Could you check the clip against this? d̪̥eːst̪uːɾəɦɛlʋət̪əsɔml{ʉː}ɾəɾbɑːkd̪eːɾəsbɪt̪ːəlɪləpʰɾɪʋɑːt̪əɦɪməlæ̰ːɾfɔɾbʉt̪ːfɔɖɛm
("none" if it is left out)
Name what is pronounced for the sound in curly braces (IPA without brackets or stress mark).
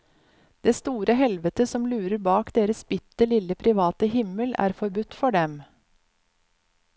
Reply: ʉː